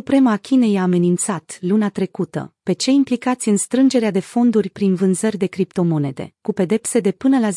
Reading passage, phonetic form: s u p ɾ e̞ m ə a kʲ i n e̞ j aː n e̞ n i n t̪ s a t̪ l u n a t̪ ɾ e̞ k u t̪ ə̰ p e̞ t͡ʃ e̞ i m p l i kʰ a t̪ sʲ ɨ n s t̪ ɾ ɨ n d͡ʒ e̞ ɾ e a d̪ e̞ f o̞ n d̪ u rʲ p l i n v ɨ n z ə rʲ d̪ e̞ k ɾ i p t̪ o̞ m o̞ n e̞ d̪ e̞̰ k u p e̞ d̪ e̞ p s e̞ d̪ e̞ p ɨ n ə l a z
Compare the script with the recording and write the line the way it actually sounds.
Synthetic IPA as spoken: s u p ɾ e̞ m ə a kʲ i n e̞ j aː m e̞ n i n t̪ s a t̪ l u n a t̪ ɾ e̞ k u t̪ ə̰ p e̞ t͡ʃ e̞ i m p l i k a t̪ sʲ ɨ n s t̪ ɾ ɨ n d͡ʒ e̞ ɾ e a d̪ e̞ f o̞ n d̪ u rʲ p ɾ i n v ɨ n z ə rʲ d̪ e̞ k ɾ i p t̪ o̞ m o̞ n e̞ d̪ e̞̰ k u p e̞ d̪ e̞ p s e̞ d̪ e̞ p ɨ n ə l a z